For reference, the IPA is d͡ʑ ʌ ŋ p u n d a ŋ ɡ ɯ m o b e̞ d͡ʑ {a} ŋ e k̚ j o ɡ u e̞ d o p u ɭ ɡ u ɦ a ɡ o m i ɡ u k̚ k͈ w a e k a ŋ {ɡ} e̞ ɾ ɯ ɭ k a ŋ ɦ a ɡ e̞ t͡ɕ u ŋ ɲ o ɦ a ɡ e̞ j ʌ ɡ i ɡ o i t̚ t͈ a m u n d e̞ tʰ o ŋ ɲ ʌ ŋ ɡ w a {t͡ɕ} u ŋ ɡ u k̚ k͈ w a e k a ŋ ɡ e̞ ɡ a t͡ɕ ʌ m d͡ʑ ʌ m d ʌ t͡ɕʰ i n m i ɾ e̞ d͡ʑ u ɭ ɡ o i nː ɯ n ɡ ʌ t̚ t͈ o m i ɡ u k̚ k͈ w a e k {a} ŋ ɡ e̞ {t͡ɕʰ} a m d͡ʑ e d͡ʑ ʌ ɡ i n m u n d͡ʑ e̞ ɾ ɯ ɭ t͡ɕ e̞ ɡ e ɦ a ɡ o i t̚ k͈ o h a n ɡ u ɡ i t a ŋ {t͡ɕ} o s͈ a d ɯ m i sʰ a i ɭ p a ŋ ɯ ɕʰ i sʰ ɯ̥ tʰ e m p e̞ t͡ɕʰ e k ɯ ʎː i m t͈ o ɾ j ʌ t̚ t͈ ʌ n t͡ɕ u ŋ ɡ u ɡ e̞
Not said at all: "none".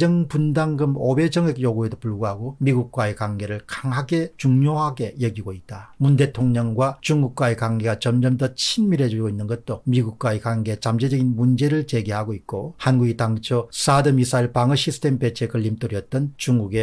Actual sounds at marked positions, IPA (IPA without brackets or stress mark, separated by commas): ʌ, ɡ, t͡ɕ, a, t͡ɕ, t͡ɕʰ